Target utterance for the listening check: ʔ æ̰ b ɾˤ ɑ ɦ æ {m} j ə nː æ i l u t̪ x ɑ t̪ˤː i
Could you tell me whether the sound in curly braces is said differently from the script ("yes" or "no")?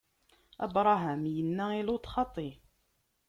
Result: no